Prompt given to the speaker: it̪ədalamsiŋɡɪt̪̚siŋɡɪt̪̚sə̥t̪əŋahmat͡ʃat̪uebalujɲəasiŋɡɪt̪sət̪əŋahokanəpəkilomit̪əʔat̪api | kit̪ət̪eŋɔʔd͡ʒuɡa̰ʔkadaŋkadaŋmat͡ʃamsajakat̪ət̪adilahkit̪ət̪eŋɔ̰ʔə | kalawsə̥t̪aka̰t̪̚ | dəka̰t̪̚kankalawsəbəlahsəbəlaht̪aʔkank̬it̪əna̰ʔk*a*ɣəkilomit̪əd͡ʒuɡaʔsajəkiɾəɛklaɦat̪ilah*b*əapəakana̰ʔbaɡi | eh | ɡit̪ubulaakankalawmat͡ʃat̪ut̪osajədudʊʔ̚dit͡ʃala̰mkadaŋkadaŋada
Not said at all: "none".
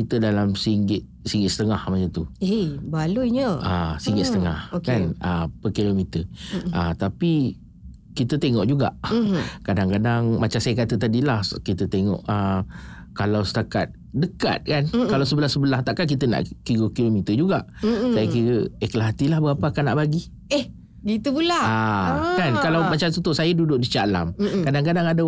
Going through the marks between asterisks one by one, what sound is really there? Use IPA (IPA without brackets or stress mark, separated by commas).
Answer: i, b